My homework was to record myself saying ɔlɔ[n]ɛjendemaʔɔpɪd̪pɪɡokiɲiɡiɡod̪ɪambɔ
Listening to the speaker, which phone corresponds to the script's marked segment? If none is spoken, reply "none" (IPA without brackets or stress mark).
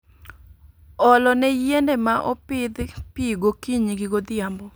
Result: n